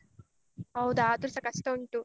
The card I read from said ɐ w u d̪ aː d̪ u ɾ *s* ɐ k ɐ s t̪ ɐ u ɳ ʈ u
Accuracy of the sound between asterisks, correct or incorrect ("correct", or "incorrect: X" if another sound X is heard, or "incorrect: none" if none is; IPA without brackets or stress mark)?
correct